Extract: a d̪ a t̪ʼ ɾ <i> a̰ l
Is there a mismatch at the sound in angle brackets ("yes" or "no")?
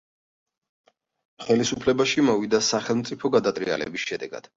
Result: no